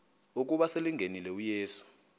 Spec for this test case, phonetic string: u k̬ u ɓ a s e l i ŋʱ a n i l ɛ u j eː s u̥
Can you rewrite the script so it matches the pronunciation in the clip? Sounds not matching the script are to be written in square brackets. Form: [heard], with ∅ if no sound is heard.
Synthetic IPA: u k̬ u ɓ a s e l i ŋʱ [e] n i l ɛ u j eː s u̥